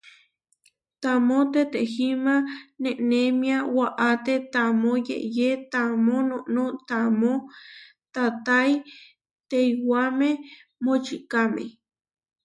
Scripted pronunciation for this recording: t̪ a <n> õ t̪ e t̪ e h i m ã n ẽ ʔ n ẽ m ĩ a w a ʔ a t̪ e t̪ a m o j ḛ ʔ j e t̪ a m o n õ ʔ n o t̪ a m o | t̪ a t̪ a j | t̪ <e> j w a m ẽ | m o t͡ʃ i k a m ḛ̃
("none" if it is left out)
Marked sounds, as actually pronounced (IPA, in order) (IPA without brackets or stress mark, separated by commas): m, e